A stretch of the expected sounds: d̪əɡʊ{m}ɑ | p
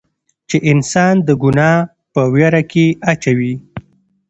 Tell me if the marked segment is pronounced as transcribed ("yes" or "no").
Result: no